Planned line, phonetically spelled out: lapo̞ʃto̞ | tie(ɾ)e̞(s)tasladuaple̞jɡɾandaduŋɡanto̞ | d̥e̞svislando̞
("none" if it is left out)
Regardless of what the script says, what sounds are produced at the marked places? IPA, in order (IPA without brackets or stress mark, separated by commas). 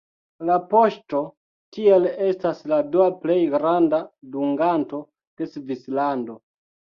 l, s